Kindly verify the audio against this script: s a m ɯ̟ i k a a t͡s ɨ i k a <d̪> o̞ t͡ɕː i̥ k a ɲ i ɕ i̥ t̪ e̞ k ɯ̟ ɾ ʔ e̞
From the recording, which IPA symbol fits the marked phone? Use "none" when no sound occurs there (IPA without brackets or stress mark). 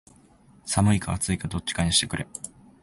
d̪